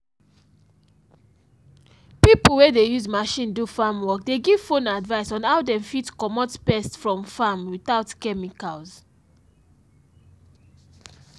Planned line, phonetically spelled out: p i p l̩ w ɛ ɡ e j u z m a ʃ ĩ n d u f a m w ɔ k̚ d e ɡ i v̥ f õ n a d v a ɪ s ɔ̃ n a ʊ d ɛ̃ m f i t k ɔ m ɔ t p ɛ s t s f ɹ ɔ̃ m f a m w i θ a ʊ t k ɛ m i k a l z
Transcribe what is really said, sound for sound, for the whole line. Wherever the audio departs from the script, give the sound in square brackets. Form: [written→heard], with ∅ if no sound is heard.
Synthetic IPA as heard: p i p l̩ w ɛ [ɡ→d] e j u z m a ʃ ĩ n d u f a m w ɔ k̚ d e ɡ i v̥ f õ n a d v a ɪ s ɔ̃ n a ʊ d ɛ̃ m f i t k ɔ m ɔ t p ɛ s t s f ɹ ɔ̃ m f a m w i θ a ʊ t k ɛ m i k a l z

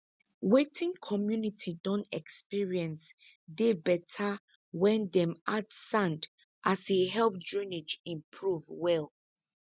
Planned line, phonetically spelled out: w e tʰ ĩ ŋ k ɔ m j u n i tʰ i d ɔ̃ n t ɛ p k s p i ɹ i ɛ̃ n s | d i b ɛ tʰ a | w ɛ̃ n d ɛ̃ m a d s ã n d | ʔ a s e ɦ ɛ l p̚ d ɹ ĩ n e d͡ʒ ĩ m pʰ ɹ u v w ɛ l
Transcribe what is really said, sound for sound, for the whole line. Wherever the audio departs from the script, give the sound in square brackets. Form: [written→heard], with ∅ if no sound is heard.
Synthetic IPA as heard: w e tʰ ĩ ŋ [k→kʰ] ɔ m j u n i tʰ i d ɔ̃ n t ɛ [p→∅] k s p i ɹ i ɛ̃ n s | d [i→e] b ɛ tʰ a | w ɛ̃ n d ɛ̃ m a d s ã n d | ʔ a s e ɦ ɛ l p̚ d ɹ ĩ n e d͡ʒ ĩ m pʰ ɹ u v w ɛ l

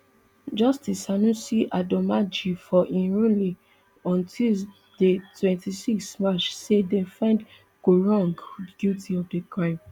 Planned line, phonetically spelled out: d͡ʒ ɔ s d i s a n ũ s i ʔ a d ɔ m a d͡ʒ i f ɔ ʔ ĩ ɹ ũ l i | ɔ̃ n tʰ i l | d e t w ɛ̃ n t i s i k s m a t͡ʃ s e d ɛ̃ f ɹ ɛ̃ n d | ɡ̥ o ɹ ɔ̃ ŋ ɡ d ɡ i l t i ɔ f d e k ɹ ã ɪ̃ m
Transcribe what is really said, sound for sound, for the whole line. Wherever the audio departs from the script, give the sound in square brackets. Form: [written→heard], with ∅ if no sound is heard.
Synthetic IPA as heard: d͡ʒ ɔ s [d→t] i s a n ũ s i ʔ a d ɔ m a d͡ʒ i f ɔ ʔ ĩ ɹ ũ l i | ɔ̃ n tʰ i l | d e t w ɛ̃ n t i s i k s m a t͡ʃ s e d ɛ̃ f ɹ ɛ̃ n d | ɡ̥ o ɹ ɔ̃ ŋ ɡ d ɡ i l t i ɔ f d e k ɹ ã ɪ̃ m

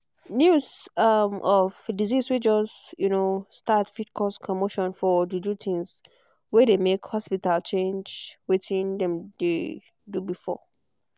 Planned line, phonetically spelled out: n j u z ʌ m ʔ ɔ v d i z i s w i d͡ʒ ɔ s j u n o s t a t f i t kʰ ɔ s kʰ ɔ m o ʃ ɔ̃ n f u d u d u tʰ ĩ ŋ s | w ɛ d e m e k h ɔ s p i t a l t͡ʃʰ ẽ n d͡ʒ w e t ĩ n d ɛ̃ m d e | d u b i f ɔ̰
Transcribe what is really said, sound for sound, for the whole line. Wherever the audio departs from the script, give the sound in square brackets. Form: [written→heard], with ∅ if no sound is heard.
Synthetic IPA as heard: n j u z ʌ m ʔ ɔ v d i z i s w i d͡ʒ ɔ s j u n o s t a t f i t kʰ ɔ s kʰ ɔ m o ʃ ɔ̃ n f [u→ɔ] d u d u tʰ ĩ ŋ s | w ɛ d e m e k h ɔ s p i t a l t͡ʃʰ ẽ n d͡ʒ w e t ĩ n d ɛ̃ m d e | d u b i f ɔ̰

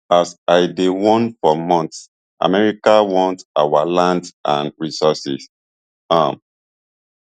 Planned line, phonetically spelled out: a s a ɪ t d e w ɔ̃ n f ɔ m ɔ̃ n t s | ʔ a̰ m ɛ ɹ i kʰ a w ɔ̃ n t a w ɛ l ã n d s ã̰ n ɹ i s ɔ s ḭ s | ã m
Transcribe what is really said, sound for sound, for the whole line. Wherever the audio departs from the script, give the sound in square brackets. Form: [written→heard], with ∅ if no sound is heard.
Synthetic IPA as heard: a s a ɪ [t→∅] d e w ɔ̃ n f ɔ m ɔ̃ n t s | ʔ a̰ m ɛ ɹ i [kʰ→k] a w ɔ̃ n t a w [ɛ→a] l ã n d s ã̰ n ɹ i s ɔ s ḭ s | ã m

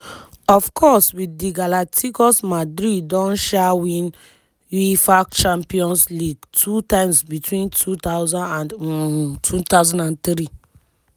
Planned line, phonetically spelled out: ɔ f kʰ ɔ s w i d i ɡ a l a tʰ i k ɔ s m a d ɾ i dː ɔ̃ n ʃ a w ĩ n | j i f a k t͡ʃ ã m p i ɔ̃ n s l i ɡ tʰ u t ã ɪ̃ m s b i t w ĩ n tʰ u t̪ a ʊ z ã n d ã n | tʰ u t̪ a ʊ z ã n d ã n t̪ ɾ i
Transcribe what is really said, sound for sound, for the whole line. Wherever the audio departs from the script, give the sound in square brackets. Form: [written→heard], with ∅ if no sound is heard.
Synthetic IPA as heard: ɔ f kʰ ɔ s w i d i ɡ a l a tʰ i k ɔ s m a d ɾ i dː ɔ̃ n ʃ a w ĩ n | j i f a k t͡ʃ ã m p i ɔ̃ n s l i ɡ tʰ u t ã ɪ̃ m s b i t w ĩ n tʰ u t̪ a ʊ z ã n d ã n | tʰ u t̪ a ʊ z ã n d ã n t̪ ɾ i

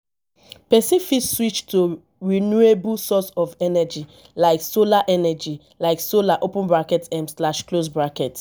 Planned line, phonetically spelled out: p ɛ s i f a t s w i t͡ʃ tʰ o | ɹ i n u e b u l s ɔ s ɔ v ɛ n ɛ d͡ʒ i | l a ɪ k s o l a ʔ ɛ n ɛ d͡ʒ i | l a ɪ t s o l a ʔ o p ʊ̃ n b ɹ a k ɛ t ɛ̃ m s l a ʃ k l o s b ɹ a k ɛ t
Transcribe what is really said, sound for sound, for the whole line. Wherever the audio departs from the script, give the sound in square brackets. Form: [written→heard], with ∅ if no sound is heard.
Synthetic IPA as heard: p ɛ s i f [a→i] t s w i t͡ʃ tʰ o | ɹ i n u e b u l s ɔ s ɔ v ɛ n ɛ d͡ʒ i | l a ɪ k s o l a ʔ ɛ n ɛ d͡ʒ i | l a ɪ [t→k] s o l a ʔ o p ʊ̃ n b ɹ a k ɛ t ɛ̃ m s l a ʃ k l o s b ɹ a k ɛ t

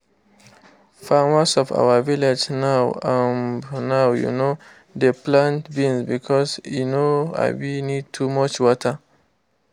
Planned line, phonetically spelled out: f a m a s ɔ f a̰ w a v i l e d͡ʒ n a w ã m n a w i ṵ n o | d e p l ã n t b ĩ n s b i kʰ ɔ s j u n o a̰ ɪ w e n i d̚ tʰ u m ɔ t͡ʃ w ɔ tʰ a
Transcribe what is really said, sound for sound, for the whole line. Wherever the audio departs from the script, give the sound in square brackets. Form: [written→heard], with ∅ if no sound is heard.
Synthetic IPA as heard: f a m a s ɔ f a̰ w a v i l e d͡ʒ n a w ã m n a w [i→j] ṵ n o | d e p l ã n t b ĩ n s b i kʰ ɔ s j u n o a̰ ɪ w [e→i] n i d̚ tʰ u m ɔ t͡ʃ w ɔ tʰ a

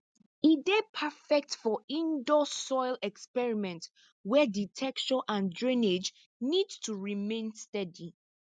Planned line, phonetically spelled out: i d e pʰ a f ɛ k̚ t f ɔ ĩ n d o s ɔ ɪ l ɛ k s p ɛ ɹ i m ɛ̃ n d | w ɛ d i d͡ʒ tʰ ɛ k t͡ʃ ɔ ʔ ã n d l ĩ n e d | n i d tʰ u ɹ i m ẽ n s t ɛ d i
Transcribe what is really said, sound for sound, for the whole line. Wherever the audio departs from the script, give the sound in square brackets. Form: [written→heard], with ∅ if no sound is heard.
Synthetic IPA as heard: i d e pʰ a f ɛ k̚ t f ɔ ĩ n d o s ɔ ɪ l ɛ k s p ɛ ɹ i m ɛ̃ n [d→t] | w ɛ d i [d͡ʒ→∅] tʰ ɛ k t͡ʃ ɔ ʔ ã n d [l→ɹ] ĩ n e [d→d͡ʒ] | n i d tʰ u ɹ i m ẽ n s t ɛ d i

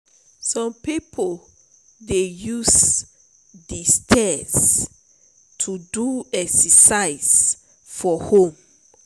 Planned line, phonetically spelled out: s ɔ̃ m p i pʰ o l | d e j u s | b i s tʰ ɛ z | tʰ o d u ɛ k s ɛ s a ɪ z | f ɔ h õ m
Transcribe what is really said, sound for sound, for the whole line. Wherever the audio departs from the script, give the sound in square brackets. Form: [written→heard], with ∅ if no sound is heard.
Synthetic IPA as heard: s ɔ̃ m p i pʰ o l | d e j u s | [b→d] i s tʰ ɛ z | tʰ [o→u] d u ɛ k s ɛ s a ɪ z | f ɔ h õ m

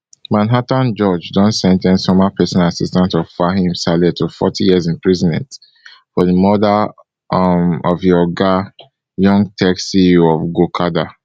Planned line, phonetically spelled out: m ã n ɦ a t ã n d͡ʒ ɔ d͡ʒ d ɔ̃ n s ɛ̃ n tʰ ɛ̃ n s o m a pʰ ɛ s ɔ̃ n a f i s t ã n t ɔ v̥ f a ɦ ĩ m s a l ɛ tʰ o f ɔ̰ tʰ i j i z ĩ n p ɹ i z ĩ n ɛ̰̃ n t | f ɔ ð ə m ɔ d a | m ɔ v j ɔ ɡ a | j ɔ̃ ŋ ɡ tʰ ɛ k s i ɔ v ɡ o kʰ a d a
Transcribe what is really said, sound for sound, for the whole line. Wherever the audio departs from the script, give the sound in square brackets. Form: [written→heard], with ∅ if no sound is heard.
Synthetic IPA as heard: m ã n ɦ a t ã n d͡ʒ ɔ d͡ʒ d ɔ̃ n s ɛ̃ n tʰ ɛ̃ n s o m a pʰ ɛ s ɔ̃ n a [f→s] i s t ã n t ɔ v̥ f a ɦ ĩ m s a l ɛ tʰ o f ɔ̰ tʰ i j i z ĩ n p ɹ i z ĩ n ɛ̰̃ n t | f ɔ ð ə m ɔ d a | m ɔ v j ɔ ɡ a | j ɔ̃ ŋ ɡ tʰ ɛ k s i ɔ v ɡ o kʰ a d a

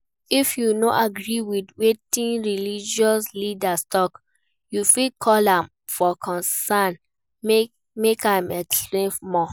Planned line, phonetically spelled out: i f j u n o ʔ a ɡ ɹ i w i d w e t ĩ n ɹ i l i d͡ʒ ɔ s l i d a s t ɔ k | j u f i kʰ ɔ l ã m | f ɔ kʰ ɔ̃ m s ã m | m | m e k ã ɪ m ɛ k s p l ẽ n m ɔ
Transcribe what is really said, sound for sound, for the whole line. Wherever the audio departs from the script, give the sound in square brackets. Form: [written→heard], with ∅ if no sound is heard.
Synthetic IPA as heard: i f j u n o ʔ a ɡ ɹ i w i d w e t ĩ n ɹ i l i d͡ʒ ɔ s l i d a s t ɔ k | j u f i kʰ ɔ l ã m | f ɔ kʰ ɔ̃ [m→n] s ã [m→n] | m | m e k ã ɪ m ɛ k s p l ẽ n m ɔ

